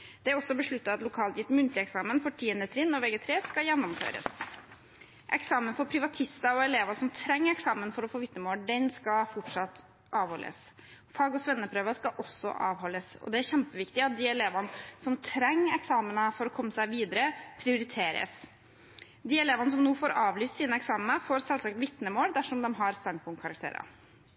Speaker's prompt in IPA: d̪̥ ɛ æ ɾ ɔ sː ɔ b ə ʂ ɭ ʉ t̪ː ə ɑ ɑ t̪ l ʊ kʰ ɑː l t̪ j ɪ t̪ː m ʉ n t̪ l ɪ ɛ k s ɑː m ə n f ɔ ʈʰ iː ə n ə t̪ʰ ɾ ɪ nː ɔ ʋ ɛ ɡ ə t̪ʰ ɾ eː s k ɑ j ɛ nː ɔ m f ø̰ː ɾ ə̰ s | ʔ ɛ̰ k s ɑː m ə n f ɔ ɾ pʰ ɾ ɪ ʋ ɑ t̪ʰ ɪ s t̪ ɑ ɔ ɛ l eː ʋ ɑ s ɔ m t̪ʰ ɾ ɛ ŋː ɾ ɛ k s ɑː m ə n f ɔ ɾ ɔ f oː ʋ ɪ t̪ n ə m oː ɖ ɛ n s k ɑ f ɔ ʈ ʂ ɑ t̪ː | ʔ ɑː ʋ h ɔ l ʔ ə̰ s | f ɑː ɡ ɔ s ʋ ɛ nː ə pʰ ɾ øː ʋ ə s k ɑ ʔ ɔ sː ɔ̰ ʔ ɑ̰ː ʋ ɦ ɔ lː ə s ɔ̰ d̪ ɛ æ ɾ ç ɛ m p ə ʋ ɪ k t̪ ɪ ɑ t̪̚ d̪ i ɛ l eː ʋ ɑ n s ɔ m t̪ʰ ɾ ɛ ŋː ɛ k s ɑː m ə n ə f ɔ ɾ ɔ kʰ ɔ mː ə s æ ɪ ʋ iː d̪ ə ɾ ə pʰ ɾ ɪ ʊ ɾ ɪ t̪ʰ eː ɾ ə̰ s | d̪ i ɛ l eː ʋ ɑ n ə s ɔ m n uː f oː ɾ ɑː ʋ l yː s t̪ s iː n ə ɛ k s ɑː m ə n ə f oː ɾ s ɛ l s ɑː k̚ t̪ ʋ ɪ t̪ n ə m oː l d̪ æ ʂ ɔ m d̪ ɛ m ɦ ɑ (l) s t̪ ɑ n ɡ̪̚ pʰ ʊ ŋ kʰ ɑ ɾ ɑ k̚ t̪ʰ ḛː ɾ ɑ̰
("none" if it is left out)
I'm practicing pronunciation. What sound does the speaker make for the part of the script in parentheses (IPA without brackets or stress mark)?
ɾ